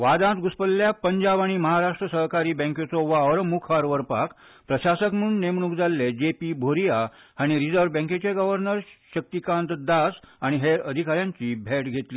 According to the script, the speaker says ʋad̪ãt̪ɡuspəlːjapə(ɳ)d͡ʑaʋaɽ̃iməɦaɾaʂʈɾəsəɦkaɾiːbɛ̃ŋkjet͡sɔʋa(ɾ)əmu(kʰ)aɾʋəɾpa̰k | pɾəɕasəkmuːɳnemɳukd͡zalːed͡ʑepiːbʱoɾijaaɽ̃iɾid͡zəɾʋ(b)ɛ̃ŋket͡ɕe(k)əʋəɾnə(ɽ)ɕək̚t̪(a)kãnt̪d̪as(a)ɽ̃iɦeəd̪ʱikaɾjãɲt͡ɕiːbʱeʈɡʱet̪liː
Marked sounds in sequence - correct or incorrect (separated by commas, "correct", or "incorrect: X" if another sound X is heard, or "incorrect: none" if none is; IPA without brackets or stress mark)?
incorrect: ɲ, correct, correct, correct, incorrect: ɡ, incorrect: ɾ, incorrect: i, correct